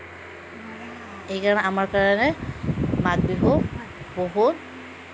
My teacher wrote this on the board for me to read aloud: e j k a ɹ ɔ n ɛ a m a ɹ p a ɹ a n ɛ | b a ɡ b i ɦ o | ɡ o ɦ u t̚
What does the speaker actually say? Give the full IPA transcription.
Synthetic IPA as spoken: e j k a ɹ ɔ n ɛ a m a ɹ k a ɹ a n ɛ | m a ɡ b i ɦ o | b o ɦ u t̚